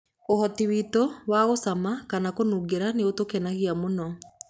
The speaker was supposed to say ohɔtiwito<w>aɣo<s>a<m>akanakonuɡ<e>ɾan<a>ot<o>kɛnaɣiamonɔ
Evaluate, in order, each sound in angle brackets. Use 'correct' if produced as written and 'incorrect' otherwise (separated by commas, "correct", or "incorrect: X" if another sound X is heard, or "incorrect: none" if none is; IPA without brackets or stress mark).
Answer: correct, correct, correct, correct, incorrect: e, correct